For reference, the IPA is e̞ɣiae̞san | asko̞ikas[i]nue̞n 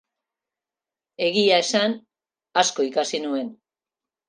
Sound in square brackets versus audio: correct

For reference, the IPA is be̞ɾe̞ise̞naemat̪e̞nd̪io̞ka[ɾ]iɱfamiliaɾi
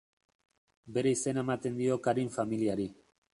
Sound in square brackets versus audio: correct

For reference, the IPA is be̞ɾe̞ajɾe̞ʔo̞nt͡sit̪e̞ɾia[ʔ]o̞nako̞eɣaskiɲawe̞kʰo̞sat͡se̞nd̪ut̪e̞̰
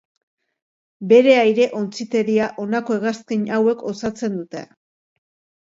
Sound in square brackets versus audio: correct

